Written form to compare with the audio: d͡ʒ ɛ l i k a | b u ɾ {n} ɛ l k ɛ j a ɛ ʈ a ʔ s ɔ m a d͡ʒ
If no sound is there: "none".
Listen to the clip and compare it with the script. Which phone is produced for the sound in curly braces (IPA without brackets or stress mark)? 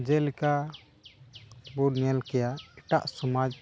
n